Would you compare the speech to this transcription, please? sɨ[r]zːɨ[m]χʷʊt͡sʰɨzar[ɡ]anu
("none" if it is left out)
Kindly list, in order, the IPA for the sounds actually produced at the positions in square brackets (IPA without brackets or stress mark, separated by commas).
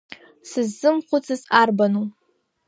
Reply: none, m, b